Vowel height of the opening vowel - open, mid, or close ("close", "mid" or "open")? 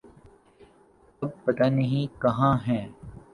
open